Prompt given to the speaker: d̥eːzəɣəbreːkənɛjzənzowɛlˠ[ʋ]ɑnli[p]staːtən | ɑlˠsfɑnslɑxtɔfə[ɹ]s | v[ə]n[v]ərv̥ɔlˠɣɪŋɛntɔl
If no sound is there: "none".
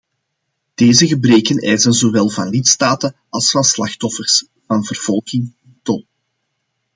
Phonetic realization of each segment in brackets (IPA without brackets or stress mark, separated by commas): v, t, r, ɑ, v